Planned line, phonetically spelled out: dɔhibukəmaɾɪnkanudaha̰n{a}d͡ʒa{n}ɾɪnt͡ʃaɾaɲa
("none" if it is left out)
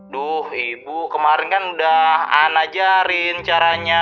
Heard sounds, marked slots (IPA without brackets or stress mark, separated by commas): a, none